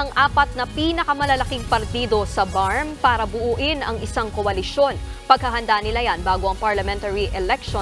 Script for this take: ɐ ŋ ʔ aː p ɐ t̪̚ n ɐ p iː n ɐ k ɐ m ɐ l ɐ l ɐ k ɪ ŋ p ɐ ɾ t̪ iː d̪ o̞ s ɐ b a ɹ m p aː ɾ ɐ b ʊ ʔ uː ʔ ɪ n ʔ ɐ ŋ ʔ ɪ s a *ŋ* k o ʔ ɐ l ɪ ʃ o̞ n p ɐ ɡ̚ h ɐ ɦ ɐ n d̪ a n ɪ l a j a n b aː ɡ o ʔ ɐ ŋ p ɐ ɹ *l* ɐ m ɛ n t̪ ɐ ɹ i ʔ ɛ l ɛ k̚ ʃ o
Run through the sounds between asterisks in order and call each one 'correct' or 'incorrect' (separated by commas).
correct, correct